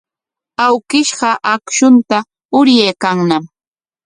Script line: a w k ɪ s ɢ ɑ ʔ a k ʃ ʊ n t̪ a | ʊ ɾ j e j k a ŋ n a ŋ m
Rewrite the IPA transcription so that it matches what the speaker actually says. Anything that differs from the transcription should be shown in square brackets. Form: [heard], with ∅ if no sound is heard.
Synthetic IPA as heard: a w k ɪ [ʃ] ɢ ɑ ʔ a k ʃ ʊ n t̪ a | ʊ ɾ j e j k a ŋ n a [∅] m